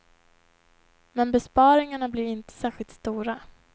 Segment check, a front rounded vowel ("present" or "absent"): absent